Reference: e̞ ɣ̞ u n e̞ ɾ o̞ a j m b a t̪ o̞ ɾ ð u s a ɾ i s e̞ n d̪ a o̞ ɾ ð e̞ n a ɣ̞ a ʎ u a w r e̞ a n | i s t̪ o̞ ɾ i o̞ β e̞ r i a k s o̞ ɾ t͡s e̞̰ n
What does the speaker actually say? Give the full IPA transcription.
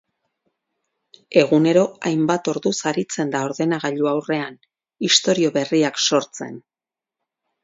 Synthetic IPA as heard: e̞ ɣ̞ u n e̞ ɾ o̞ a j m b a t̪ o̞ ɾ ð u s a ɾ i t͡s e̞ n d̪ a o̞ ɾ ð e̞ n a ɣ̞ a ʎ u a w r e̞ a n | i s t̪ o̞ ɾ i o̞ β e̞ r i a k s o̞ ɾ t͡s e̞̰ n